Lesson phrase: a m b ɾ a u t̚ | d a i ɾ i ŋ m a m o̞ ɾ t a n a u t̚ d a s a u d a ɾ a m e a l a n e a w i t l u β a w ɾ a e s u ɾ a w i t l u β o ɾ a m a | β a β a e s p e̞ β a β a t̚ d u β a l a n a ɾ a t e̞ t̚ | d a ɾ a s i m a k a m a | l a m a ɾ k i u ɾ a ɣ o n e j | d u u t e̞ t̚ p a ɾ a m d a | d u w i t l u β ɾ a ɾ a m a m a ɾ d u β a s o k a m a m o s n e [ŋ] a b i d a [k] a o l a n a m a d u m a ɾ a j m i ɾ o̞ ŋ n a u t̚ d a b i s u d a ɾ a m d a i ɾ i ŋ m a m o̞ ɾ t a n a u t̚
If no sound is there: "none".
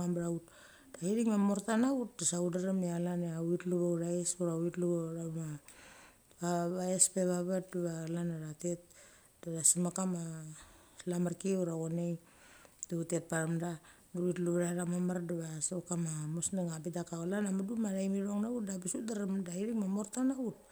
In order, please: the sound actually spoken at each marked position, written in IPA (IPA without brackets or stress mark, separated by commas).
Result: ŋ, k